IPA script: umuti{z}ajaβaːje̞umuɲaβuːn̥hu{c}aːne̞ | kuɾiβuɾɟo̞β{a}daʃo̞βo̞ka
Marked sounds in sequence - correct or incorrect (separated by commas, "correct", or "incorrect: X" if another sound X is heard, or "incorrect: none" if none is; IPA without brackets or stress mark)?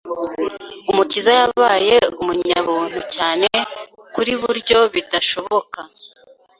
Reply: correct, correct, incorrect: i